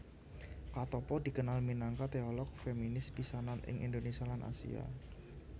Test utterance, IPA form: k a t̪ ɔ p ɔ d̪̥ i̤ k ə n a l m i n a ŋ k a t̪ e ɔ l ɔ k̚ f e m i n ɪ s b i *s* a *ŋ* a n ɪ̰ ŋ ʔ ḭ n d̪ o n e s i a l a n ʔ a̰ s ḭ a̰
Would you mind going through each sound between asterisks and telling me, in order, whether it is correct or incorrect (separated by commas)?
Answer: correct, incorrect